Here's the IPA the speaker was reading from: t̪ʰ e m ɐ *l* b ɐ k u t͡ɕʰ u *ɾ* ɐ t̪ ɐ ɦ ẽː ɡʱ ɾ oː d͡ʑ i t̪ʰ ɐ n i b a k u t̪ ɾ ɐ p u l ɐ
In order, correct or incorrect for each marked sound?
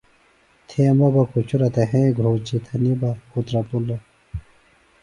incorrect: none, correct

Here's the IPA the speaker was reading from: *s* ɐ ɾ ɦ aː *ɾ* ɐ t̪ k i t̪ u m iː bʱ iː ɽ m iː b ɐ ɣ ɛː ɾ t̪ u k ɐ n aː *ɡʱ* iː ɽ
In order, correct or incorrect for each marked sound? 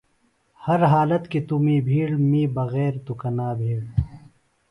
incorrect: h, incorrect: l, incorrect: bʱ

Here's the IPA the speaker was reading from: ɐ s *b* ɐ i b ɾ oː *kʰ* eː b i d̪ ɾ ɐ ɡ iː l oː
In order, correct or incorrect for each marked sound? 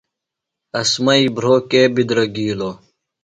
incorrect: m, incorrect: k

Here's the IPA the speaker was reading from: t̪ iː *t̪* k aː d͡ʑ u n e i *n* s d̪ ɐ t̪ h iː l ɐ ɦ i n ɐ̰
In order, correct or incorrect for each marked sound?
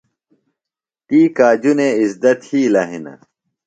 incorrect: none, incorrect: none

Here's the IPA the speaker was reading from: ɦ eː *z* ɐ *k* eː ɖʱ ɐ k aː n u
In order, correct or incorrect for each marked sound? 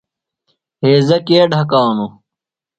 correct, correct

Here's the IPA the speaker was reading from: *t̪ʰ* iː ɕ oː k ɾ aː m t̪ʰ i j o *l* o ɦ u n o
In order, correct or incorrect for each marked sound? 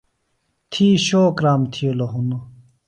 correct, correct

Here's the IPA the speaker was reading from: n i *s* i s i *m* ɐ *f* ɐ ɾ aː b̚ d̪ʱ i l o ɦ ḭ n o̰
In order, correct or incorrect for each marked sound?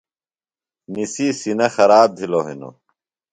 correct, incorrect: n, incorrect: x

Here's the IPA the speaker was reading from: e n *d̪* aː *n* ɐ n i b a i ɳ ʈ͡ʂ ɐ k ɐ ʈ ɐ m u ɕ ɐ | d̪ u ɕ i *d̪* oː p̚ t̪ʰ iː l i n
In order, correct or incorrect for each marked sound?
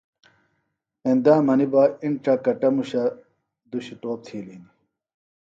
correct, incorrect: m, incorrect: t̪

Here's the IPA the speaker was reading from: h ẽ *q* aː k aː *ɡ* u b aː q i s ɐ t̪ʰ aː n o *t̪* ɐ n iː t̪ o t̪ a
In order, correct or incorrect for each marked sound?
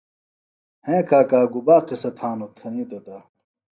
incorrect: k, correct, incorrect: t̪ʰ

